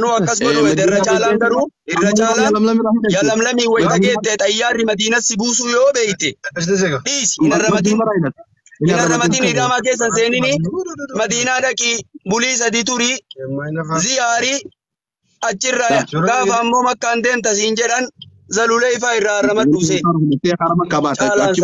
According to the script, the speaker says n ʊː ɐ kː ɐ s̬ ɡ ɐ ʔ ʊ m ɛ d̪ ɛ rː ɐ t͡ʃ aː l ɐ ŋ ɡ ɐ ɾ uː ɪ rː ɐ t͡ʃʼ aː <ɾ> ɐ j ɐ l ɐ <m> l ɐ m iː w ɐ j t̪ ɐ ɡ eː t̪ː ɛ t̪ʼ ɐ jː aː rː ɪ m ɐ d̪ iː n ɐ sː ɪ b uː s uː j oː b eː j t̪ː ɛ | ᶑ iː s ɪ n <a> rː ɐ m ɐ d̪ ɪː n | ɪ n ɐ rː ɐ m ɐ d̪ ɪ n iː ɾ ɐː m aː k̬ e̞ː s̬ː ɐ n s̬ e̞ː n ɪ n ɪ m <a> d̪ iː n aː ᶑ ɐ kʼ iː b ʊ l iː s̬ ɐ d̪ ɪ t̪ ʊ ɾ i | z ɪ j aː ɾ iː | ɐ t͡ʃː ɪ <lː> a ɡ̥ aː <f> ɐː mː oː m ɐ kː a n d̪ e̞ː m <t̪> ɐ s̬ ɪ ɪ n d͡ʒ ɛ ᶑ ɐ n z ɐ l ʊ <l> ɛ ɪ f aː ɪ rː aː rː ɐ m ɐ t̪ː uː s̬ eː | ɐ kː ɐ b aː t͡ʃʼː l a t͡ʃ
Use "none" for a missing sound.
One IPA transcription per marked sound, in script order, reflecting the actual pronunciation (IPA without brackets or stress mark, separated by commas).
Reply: l, m, ɐ, ɐ, rː, f, t̪, l